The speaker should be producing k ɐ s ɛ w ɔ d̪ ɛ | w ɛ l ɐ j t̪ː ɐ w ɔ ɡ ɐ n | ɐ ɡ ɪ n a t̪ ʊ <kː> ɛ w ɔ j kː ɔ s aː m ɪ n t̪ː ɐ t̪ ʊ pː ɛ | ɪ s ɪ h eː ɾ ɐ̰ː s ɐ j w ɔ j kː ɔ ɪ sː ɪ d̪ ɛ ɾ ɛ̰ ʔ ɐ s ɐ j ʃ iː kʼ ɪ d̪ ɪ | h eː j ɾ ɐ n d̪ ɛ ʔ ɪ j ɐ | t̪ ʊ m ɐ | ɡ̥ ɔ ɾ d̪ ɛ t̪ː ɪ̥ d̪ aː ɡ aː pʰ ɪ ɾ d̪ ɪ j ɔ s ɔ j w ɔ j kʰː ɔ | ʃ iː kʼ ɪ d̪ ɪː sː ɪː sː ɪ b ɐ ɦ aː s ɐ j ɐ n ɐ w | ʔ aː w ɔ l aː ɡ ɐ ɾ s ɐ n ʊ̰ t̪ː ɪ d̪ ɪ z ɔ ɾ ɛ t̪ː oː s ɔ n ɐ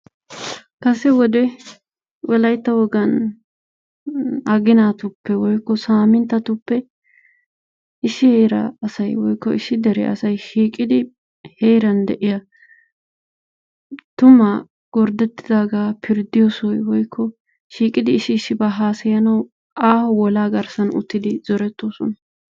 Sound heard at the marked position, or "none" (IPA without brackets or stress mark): pː